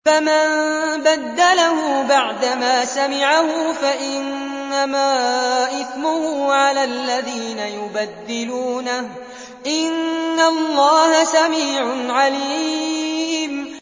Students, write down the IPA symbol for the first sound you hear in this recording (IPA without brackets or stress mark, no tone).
f